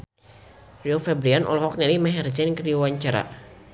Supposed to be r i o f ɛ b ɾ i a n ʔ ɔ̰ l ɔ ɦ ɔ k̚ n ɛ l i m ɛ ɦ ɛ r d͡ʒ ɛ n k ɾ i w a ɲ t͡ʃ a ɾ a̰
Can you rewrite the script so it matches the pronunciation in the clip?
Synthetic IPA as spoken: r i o f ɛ b ɾ i a n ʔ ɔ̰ l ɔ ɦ ɔ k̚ n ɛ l i m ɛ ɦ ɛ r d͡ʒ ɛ n k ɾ i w a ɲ t͡ʃ a ɾ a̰